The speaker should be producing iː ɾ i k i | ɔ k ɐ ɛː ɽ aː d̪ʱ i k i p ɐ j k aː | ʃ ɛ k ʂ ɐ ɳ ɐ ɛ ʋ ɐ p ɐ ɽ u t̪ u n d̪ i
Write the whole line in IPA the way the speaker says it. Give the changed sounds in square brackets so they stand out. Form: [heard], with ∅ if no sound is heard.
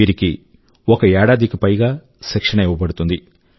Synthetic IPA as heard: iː ɾ i k i | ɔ k ɐ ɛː ɽ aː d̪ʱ i k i p ɐ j [ɡ] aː | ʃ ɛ k ʂ ɐ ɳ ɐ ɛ ʋ ɐ [b] ɐ ɽ u t̪ u n d̪ i